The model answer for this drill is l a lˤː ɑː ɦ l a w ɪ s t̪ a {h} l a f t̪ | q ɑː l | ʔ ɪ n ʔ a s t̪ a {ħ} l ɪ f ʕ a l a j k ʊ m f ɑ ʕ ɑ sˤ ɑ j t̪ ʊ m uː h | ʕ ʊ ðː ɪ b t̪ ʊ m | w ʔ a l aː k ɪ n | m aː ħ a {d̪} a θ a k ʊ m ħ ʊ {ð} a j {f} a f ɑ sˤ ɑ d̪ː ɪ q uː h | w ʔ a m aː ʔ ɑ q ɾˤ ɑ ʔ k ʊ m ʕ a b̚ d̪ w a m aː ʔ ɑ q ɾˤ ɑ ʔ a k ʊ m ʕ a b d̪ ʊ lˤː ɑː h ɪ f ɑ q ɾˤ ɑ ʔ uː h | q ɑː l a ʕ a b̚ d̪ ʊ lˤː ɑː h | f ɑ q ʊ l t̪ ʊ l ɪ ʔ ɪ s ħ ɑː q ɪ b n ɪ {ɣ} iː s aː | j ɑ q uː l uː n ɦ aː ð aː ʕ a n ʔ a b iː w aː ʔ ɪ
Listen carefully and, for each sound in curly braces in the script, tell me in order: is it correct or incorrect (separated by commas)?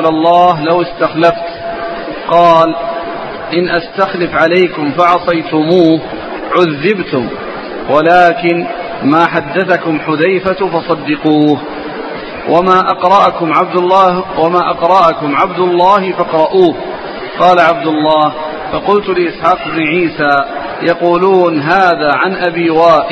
incorrect, incorrect, incorrect, correct, correct, incorrect